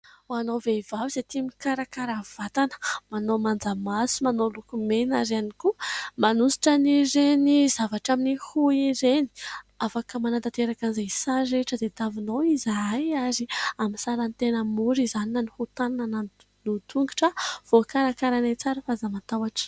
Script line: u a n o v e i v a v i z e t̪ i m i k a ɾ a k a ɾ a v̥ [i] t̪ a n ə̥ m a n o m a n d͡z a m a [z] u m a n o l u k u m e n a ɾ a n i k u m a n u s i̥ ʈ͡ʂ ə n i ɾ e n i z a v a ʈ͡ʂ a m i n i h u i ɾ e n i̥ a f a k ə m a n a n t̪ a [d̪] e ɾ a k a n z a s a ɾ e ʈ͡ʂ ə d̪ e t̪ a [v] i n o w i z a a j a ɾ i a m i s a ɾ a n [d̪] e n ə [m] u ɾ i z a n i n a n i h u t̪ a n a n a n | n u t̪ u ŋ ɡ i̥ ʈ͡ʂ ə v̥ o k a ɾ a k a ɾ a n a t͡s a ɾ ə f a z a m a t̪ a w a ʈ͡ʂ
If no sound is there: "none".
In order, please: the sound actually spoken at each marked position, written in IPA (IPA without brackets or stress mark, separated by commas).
a, s, t̪, v, t̪, m